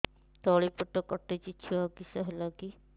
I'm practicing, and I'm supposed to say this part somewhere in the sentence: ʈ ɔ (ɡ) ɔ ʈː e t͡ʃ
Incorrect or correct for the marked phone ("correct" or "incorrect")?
incorrect